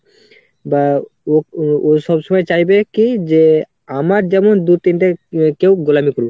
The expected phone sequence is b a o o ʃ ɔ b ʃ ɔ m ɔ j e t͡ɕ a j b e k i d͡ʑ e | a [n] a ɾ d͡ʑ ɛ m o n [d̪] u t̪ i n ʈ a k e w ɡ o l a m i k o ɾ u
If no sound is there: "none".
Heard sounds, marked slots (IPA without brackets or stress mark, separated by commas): m, d̪